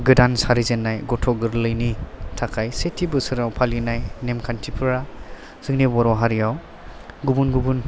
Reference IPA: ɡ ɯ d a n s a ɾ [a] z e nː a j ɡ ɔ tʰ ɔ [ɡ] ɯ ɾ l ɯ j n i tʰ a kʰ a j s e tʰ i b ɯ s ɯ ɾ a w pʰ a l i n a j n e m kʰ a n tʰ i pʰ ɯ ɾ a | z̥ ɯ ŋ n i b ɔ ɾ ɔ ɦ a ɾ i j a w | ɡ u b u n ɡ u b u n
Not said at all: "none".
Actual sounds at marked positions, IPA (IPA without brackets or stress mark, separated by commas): i, ɡ